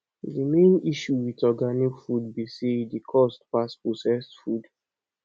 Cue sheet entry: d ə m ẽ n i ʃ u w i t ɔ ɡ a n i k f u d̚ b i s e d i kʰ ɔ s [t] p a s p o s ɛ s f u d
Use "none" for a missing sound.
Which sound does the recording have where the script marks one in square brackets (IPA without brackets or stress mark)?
t